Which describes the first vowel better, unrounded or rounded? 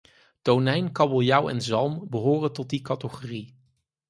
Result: rounded